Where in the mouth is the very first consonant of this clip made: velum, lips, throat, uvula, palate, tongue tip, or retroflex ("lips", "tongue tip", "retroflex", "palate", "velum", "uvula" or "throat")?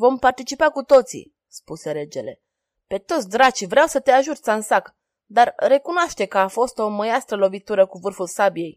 lips